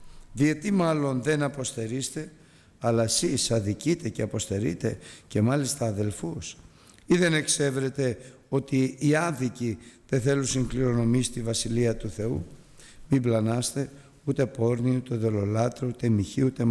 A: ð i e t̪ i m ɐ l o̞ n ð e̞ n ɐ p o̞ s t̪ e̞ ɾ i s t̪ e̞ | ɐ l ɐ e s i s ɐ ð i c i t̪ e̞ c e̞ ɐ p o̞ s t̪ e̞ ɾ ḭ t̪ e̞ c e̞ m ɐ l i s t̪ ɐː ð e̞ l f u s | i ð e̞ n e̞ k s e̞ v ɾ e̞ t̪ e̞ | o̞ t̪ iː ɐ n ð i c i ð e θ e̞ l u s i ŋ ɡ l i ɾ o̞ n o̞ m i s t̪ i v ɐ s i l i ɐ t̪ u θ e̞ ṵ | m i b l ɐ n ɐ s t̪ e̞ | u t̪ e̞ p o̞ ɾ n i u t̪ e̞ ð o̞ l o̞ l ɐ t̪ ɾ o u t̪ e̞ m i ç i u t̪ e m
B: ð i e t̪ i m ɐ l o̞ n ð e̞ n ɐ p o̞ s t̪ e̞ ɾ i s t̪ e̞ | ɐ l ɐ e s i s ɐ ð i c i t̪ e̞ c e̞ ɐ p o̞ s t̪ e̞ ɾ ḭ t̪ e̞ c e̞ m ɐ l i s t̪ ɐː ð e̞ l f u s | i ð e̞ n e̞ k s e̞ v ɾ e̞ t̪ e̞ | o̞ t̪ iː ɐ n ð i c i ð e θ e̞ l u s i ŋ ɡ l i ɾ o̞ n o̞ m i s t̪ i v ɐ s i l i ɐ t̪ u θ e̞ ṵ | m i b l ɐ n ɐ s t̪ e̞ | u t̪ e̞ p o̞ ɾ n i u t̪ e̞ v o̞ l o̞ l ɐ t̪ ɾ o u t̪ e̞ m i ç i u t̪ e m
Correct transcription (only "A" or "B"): A